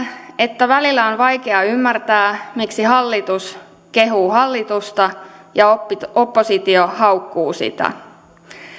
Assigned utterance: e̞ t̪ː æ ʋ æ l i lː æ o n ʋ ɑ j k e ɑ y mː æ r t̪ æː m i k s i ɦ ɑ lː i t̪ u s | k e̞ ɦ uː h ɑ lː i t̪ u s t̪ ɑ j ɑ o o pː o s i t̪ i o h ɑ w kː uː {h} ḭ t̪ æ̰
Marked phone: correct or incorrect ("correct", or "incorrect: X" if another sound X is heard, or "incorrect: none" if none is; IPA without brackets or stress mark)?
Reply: incorrect: s